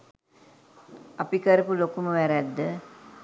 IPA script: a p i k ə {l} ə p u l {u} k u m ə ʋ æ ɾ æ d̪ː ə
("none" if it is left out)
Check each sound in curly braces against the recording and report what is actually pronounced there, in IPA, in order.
ɾ, o

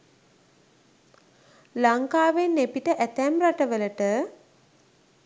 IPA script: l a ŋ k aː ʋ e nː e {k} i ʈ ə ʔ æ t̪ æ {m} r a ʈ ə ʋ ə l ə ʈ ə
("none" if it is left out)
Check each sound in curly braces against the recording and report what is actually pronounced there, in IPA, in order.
p, m

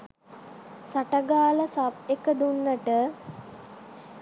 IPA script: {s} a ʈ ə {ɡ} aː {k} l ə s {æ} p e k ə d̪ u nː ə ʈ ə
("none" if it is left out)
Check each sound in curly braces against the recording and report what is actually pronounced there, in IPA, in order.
s, ɡ, none, a

